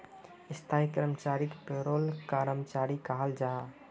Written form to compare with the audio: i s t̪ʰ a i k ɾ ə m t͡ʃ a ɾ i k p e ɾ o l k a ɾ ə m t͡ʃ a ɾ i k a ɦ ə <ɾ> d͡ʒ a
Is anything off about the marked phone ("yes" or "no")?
yes